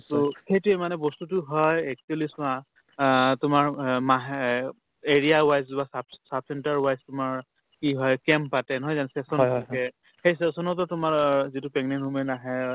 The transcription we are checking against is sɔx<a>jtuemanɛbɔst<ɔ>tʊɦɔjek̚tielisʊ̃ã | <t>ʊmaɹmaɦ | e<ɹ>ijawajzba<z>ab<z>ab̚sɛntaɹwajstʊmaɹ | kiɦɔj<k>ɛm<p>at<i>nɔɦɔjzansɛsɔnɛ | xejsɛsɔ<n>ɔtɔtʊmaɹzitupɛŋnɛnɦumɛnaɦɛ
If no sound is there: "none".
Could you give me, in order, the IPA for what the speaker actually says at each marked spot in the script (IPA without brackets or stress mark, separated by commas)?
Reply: e, u, t, ɹ, s, s, k, p, ɛ, n